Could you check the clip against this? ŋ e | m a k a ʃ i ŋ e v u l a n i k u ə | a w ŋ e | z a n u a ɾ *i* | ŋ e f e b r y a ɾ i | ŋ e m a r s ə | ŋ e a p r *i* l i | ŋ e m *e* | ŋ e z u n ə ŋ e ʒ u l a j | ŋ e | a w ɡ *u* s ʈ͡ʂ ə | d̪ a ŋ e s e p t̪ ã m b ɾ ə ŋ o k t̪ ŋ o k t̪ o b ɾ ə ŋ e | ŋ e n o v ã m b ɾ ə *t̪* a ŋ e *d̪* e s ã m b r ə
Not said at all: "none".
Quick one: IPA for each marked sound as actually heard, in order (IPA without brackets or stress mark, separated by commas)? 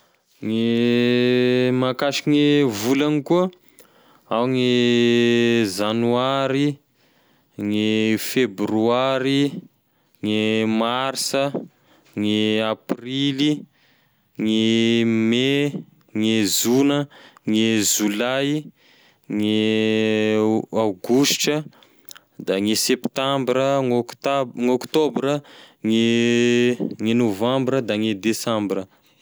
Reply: i, i, e, u, d̪, d̪